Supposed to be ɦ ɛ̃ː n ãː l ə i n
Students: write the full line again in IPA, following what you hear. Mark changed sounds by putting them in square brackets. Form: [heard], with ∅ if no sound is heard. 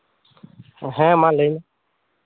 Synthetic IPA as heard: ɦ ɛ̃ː [m] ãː l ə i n